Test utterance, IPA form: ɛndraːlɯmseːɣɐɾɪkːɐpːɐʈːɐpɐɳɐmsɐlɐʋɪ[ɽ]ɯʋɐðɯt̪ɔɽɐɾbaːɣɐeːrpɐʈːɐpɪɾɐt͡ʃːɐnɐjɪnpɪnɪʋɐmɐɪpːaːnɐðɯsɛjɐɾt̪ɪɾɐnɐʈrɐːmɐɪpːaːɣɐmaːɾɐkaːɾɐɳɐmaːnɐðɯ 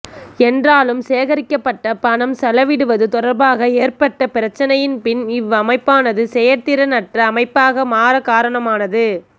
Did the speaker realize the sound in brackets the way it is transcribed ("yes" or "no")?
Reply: yes